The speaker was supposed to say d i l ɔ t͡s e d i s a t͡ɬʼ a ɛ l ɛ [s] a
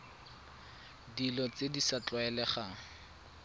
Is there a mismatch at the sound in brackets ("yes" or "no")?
yes